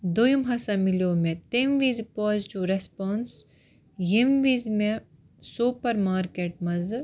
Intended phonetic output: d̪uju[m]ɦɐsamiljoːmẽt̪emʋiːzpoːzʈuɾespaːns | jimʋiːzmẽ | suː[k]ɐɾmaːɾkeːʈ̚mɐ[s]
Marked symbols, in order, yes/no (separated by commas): yes, no, no